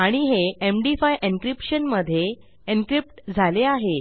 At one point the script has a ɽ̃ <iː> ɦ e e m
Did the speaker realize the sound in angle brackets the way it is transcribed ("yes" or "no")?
no